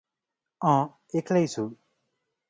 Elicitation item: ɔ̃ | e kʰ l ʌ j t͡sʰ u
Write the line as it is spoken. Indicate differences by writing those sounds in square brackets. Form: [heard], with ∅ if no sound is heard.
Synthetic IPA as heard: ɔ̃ | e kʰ l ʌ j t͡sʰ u